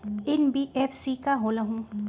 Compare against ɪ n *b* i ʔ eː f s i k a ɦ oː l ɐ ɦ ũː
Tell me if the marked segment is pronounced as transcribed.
yes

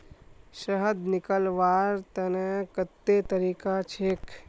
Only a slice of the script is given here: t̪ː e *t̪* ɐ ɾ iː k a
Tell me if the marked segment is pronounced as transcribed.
yes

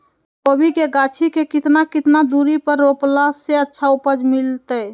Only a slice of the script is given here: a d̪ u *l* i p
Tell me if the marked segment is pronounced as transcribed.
no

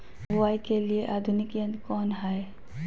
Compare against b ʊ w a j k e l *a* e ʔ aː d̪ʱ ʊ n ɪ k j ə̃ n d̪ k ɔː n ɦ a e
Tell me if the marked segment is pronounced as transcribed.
no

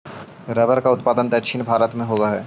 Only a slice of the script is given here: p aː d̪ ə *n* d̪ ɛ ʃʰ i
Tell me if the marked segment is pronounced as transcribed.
yes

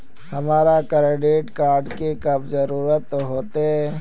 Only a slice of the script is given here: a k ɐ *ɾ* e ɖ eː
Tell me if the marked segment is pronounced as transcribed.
yes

